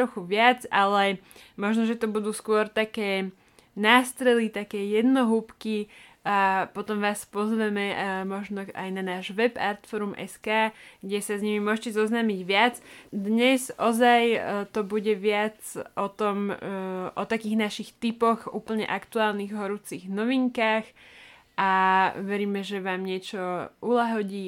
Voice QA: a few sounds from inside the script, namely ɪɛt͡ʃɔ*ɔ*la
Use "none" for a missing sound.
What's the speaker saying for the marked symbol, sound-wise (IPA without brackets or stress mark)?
u